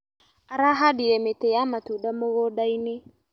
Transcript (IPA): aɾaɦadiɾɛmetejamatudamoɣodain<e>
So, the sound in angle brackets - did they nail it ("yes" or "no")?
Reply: yes